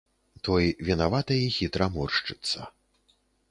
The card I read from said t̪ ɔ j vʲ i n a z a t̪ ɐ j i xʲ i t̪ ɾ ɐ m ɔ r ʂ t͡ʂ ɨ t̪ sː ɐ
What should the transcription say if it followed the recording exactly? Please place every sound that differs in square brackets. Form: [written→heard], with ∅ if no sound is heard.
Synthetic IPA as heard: t̪ ɔ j vʲ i n a [z→v] a t̪ ɐ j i xʲ i t̪ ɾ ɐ m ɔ r ʂ t͡ʂ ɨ t̪ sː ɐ